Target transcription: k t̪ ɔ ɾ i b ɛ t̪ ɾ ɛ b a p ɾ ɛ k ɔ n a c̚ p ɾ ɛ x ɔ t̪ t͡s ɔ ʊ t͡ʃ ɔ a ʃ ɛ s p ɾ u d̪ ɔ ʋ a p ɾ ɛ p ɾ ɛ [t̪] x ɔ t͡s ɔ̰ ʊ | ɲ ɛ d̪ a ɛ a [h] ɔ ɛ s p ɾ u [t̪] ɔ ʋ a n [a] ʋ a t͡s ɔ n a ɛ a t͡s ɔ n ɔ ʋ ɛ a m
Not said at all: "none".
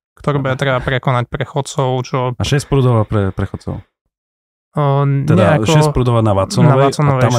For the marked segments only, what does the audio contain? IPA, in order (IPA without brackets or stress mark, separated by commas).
none, ʃ, d̪, a